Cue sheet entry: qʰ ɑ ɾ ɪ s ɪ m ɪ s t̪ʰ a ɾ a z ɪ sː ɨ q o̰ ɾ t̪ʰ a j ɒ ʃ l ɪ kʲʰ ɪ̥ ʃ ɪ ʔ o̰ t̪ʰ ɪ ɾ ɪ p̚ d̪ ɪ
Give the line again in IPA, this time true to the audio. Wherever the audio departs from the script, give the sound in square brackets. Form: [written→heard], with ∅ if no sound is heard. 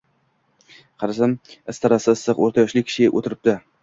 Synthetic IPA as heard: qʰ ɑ ɾ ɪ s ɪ m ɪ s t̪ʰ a ɾ a [z→s] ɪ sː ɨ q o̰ ɾ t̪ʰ a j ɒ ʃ l ɪ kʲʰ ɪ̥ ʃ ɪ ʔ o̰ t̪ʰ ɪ ɾ ɪ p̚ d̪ ɪ